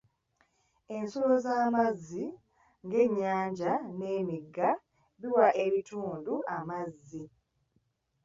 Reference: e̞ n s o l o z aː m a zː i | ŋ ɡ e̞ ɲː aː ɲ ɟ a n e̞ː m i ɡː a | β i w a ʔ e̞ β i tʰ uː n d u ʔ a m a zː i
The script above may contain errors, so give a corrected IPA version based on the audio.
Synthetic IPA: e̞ n s o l o z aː m a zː i | ŋ ɡ e̞ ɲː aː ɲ ɟ a n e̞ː m i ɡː a | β i w a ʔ e̞ β i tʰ uː n d u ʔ a m a zː i